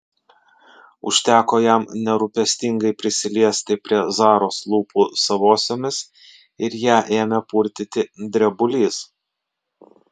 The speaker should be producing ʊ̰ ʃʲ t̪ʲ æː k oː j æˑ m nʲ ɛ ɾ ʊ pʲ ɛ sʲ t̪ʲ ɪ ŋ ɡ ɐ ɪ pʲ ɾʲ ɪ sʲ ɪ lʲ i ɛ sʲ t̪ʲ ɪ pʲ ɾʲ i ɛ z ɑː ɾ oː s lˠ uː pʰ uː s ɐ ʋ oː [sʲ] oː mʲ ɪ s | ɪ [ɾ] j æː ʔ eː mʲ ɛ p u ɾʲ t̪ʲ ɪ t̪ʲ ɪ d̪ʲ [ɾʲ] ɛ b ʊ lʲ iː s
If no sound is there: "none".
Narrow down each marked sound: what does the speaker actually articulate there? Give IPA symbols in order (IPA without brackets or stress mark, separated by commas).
sʲ, ɾ, ɾʲ